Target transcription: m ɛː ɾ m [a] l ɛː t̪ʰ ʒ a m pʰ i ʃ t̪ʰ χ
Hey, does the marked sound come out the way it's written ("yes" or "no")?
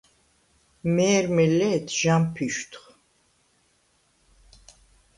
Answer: no